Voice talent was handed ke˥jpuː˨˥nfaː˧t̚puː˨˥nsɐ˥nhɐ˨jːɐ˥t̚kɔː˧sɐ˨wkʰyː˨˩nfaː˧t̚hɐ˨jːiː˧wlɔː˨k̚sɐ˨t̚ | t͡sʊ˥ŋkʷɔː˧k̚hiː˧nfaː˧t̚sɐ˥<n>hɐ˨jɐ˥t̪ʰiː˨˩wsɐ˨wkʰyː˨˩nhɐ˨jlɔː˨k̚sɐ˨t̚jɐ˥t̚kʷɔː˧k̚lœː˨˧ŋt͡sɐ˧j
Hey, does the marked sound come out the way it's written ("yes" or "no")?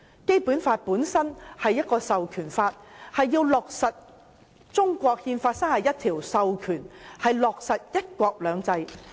no